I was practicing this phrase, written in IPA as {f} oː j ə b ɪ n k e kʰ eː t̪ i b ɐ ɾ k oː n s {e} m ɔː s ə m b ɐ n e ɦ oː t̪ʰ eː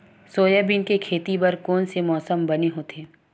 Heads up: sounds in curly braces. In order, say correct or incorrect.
incorrect: s, correct

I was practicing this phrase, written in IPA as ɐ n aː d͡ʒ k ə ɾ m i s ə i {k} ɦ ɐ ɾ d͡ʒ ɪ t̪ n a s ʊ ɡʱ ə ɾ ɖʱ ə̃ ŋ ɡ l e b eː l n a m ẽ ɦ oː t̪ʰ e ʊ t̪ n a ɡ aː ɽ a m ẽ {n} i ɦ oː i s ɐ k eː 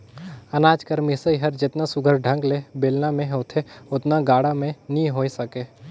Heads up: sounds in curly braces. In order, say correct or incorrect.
incorrect: none, correct

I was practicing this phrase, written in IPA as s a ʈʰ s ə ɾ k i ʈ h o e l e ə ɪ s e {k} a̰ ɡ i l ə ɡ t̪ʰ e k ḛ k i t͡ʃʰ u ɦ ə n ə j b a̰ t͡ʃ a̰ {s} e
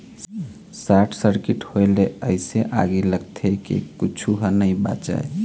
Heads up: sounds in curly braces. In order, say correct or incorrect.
incorrect: ʔ, incorrect: none

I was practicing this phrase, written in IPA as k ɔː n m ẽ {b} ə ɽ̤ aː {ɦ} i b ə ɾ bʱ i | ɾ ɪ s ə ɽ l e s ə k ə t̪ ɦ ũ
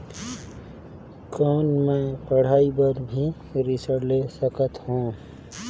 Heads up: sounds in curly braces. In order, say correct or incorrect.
incorrect: p, incorrect: none

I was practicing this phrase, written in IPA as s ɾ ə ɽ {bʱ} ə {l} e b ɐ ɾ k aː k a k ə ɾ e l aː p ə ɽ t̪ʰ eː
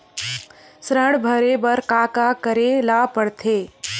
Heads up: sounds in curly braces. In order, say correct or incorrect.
correct, incorrect: ɾ

